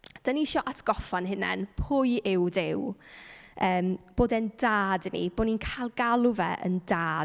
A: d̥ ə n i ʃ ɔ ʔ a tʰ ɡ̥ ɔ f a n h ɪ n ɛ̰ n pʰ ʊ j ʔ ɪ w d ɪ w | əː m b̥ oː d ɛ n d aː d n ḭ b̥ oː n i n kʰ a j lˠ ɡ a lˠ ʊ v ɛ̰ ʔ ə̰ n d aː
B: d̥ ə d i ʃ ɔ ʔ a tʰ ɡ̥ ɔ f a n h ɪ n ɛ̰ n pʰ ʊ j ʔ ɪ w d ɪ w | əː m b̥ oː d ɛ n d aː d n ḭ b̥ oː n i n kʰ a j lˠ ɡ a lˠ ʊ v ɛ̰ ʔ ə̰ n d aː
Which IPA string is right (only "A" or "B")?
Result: A